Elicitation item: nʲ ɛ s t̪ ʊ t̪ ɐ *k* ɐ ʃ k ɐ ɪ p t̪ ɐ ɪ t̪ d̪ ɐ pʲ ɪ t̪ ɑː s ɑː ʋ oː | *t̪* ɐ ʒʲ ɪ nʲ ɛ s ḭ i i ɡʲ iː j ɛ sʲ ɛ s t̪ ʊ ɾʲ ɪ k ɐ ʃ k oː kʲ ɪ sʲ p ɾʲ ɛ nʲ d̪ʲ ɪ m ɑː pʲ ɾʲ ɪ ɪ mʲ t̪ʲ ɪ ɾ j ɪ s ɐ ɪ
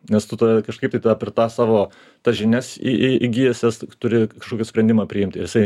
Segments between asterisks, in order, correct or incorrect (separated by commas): correct, correct